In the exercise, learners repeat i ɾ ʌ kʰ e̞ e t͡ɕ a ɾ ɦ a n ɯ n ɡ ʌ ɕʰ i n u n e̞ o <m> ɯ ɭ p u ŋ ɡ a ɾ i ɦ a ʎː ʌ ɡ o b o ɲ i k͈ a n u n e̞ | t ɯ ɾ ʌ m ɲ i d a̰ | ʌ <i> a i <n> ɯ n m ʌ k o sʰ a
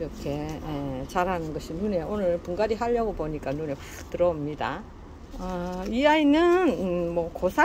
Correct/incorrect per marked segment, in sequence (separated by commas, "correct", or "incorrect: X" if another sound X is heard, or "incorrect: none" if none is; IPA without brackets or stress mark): incorrect: n, correct, correct